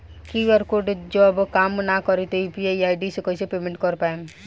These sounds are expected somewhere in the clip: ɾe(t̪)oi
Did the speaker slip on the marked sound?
no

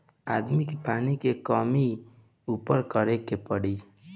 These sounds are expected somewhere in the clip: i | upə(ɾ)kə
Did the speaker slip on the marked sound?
no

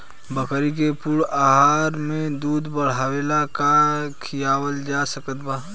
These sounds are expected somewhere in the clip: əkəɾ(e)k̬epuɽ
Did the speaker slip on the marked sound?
yes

